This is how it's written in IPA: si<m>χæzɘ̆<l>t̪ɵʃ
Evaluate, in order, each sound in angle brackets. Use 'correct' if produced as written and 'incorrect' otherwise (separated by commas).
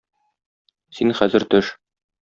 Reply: incorrect, incorrect